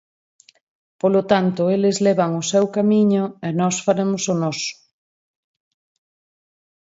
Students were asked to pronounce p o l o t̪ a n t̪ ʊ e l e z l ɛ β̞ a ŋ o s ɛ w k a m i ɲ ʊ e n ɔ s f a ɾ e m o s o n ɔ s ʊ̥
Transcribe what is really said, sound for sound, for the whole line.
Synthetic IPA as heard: p o l o t̪ a n t̪ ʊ e l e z l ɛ β̞ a ŋ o s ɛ w k a m i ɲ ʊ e n ɔ s f a ɾ e m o s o n ɔ s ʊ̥

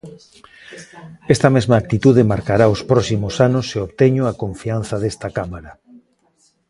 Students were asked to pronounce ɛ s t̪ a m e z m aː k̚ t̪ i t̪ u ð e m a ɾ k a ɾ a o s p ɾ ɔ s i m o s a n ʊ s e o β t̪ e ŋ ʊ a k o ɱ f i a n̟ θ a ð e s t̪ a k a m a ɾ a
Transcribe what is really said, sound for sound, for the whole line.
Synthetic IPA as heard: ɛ s t̪ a m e z m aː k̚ t̪ i t̪ u ð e m a ɾ k a ɾ a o s p ɾ ɔ s i m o s a n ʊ s e o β t̪ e ɲ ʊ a k o ɱ f i a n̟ θ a ð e s t̪ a k a m a ɾ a

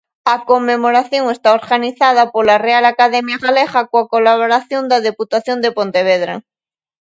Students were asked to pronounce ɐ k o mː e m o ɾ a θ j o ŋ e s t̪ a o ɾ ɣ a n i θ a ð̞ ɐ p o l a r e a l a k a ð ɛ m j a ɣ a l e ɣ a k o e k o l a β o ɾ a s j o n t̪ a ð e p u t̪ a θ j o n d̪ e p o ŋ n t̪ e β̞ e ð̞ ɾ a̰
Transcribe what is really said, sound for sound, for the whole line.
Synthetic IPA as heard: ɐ k o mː e m o ɾ a θ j o ŋ e s t̪ a o ɾ ɣ a n i θ a ð̞ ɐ p o l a r e a l a k a ð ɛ m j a ɣ a l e ɣ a k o a k o l a β o ɾ a θ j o n d̪ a ð e p u t̪ a θ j o n d̪ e p o n t̪ e β̞ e ð̞ ɾ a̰

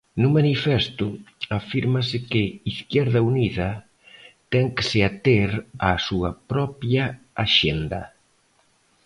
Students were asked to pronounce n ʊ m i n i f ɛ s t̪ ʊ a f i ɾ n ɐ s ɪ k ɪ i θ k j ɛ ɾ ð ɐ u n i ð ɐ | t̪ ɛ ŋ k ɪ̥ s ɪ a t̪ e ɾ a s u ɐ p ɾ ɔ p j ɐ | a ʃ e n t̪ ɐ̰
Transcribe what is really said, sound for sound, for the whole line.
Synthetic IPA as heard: n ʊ m a n i f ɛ s t̪ ʊ a f i ɾ m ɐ s ɪ k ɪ i θ k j ɛ ɾ ð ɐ u n i ð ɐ | t̪ ɛ ŋ k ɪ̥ s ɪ a t̪ e ɾ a s u ɐ p ɾ ɔ p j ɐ | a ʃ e n d̪ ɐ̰

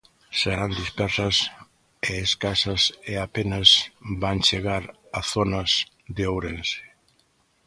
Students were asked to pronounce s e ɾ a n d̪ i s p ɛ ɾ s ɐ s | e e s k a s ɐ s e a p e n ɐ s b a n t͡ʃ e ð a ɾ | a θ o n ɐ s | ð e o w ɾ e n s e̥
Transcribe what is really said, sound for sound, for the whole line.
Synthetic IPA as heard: s e ɾ a n d̪ i s p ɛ ɾ s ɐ s | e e s k a s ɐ s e a p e n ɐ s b a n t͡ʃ e ɣ a ɾ | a θ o n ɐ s | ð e o w ɾ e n s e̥

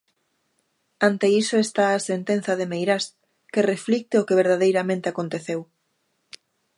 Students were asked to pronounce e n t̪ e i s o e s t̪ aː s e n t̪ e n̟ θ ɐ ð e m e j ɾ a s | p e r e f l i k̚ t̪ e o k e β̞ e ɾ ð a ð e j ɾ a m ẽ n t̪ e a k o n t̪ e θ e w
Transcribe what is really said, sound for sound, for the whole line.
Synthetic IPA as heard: a n t̪ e i s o e s t̪ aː s e n t̪ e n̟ θ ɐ ð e m e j ɾ a s | k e r e f l i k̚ t̪ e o k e β̞ e ɾ ð a ð e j ɾ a m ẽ n t̪ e a k o n t̪ e θ e w

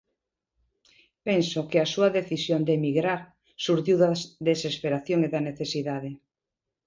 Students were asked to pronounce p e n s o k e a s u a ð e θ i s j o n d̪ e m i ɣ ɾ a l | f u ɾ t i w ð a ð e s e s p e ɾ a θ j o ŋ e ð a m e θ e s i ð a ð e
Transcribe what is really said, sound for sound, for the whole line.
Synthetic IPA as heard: p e n s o k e a s u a ð e θ i s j o n d̪ e m i ɣ ɾ a ɾ | s u ɾ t i w ð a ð e s e s p e ɾ a θ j o ŋ e ð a n e θ e s i ð a ð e

